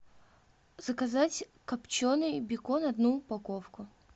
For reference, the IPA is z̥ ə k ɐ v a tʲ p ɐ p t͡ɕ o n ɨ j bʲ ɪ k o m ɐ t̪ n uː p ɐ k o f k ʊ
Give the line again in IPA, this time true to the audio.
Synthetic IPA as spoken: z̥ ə k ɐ z a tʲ k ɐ p t͡ɕ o n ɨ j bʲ ɪ k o n ɐ d̪ n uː p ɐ k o f k ʊ